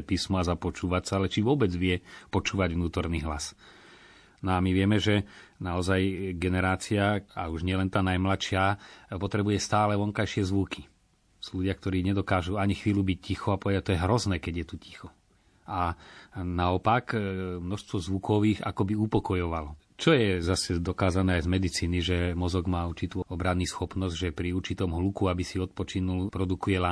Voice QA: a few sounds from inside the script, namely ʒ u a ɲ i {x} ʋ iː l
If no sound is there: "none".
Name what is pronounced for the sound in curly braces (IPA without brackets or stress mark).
x